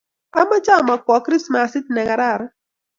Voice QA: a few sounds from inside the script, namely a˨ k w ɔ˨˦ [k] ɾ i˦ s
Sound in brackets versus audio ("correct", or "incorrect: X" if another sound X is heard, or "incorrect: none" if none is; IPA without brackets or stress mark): correct